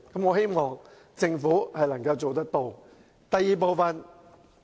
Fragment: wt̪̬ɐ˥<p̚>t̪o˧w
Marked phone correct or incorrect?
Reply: incorrect